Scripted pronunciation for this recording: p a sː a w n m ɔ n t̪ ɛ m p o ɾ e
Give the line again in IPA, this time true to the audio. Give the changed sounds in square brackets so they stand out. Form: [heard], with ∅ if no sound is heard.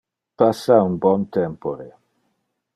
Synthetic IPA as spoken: p a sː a [u] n [b] ɔ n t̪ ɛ m p o ɾ e